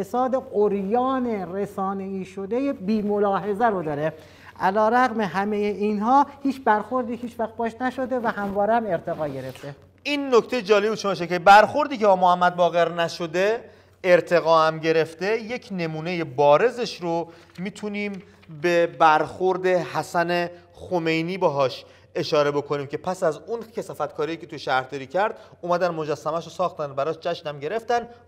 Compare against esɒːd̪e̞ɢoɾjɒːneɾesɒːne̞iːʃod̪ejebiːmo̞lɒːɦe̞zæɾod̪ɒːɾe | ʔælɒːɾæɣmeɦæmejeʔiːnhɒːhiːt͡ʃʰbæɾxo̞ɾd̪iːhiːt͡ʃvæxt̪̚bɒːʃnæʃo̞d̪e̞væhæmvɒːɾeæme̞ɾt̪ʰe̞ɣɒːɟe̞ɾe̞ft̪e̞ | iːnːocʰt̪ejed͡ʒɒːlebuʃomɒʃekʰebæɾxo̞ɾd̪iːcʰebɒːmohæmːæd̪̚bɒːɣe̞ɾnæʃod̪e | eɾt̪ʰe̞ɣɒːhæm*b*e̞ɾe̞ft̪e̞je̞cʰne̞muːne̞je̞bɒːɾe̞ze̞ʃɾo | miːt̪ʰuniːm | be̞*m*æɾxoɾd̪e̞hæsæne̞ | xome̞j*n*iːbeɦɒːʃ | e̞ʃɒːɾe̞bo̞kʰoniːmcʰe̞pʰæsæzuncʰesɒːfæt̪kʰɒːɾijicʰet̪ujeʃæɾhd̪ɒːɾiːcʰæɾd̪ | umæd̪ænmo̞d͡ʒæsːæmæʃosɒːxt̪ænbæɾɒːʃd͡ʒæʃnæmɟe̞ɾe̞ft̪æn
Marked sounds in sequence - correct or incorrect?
incorrect, incorrect, correct

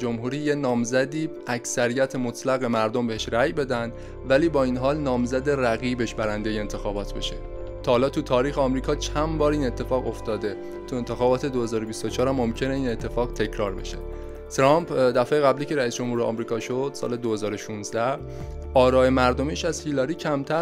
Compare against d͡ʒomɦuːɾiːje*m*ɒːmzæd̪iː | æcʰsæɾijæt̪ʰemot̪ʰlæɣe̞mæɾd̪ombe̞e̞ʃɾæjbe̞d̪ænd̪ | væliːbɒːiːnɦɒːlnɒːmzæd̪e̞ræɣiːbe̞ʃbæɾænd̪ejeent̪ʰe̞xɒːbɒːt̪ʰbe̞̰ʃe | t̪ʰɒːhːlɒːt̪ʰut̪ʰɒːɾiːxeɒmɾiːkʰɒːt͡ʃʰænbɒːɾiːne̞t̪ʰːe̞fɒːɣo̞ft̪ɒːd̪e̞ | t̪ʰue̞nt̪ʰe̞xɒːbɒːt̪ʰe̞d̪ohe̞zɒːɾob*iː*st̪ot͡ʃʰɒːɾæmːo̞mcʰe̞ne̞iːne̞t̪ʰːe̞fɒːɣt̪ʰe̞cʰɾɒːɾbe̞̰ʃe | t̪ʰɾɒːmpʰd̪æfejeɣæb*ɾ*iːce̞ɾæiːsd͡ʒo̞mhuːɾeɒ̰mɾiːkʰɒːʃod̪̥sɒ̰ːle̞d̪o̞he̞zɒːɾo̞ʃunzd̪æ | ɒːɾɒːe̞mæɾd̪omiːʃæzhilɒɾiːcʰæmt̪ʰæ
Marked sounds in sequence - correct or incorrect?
incorrect, incorrect, incorrect

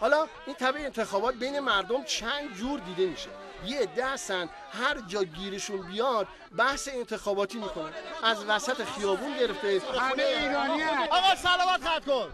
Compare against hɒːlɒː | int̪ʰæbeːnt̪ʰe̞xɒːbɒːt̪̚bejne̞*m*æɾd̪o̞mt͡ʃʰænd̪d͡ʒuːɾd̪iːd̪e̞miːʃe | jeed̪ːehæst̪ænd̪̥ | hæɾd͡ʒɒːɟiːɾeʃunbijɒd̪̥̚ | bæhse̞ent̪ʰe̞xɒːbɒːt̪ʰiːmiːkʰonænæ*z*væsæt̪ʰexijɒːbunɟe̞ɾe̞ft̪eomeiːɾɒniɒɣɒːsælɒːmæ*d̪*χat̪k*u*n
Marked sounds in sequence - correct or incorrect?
correct, correct, incorrect, incorrect

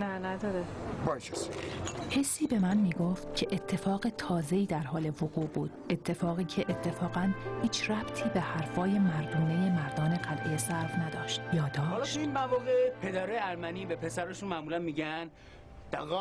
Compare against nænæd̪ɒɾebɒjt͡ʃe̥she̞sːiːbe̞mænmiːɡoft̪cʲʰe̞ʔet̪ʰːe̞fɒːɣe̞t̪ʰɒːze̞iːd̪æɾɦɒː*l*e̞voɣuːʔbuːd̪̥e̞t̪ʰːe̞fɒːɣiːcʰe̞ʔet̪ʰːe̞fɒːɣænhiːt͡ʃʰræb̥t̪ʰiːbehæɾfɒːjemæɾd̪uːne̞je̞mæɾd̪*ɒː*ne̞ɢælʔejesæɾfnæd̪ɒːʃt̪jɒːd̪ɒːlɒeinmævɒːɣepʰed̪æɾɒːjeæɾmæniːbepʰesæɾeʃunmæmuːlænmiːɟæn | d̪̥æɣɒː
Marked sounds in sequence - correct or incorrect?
correct, correct

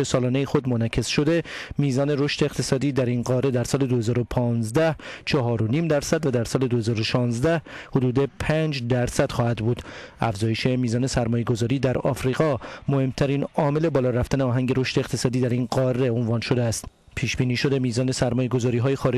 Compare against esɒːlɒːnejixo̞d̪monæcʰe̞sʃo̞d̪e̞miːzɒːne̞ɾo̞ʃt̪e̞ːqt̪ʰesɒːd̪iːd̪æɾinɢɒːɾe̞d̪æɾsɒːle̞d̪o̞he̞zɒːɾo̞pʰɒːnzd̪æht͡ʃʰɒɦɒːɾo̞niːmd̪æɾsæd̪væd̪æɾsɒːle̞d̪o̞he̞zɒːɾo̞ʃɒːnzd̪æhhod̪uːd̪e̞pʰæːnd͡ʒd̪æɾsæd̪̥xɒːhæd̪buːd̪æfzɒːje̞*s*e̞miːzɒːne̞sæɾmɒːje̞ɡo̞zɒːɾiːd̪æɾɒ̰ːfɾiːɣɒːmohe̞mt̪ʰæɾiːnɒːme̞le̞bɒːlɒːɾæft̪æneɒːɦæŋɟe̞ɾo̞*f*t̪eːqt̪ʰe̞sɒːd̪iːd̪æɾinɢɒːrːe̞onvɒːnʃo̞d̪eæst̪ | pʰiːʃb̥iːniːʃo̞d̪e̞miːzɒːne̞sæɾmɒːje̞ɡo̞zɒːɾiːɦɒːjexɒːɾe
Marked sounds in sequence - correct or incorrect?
incorrect, incorrect

